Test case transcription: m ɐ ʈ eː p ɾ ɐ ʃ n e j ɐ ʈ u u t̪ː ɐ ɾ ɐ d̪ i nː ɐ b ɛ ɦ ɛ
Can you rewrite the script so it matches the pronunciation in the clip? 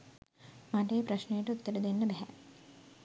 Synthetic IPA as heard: m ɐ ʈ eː p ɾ ɐ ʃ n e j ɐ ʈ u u t̪ː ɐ ɾ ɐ d̪ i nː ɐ b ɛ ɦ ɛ